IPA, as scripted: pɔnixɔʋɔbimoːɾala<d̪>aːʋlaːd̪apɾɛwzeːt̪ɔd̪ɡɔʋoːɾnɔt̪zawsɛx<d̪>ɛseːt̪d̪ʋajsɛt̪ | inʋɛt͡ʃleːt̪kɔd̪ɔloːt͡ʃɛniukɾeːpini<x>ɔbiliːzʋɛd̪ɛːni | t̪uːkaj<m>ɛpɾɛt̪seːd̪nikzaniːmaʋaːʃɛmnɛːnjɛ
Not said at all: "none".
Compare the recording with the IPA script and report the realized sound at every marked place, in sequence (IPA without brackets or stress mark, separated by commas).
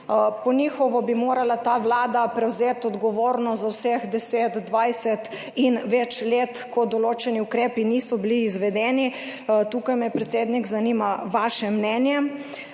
t̪, d̪, s, m